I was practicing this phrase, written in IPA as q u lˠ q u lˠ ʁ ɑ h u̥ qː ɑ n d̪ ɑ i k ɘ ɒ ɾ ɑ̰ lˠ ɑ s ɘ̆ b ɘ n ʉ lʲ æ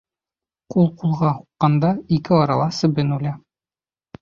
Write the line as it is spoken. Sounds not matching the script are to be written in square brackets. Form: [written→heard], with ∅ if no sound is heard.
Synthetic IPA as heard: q u lˠ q u lˠ ʁ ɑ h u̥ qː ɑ n d̪ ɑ i k ɘ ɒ ɾ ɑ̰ lˠ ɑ s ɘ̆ b ɘ n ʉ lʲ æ